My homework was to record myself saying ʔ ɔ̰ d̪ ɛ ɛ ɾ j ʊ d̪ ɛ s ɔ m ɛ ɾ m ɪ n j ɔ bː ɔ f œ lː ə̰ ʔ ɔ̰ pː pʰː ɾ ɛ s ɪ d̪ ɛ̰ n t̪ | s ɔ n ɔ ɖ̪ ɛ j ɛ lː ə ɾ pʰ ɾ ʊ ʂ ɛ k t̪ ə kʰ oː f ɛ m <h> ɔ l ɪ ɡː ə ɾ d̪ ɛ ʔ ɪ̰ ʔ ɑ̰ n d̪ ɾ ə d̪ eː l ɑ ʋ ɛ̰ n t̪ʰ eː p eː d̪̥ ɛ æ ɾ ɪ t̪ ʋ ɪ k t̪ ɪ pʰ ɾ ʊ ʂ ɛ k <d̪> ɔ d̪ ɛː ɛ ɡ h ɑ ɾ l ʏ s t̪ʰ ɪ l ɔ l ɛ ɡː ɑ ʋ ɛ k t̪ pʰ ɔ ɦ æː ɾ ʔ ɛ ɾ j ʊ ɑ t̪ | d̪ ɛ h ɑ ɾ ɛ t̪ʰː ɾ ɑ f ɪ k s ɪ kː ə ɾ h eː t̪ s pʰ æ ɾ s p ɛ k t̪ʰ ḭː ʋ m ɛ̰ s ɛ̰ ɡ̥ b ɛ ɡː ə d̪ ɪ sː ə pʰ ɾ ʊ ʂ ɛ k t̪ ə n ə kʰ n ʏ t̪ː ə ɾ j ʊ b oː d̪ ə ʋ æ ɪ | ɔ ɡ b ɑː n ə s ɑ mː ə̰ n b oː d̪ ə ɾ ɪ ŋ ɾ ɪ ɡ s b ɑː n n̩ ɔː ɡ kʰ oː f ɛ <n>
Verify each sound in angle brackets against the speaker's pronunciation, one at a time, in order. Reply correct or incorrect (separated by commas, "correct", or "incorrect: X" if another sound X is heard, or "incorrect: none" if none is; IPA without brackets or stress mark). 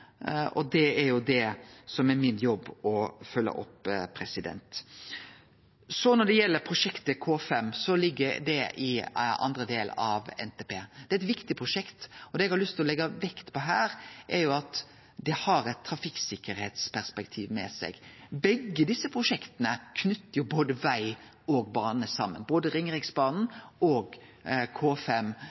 incorrect: s, incorrect: t̪, incorrect: m